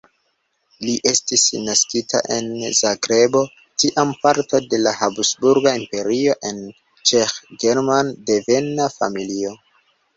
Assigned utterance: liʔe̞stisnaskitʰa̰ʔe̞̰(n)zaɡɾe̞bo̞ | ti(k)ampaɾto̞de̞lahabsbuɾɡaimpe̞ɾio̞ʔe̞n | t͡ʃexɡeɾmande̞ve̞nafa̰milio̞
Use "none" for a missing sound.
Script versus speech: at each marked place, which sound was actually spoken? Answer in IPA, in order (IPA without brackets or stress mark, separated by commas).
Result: n, ʔ